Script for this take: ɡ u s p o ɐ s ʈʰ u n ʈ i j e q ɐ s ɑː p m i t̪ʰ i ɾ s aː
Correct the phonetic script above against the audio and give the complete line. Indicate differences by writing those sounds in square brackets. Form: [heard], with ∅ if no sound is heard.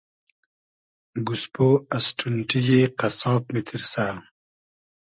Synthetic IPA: ɡ u s p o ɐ s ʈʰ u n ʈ i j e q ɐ s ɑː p m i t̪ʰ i ɾ s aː